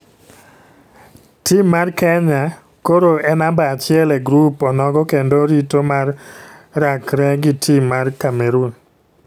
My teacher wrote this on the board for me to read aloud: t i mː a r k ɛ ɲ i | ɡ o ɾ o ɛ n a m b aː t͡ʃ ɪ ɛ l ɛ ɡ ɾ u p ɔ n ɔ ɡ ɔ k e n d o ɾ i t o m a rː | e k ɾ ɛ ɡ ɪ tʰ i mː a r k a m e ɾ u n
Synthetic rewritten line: t i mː a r k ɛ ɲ a | k o ɾ o ɛ n a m b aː t͡ʃ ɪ ɛ l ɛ ɡ ɾ u p ɔ n ɔ ɡ ɔ k e n d o ɾ i t o m a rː | a k ɾ ɛ ɡ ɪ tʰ i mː a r k a m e ɾ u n